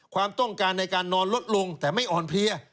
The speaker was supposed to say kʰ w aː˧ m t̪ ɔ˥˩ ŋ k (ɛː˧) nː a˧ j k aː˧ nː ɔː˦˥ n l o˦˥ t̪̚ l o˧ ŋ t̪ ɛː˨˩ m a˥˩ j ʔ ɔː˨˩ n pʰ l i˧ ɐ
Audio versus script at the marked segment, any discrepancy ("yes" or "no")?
yes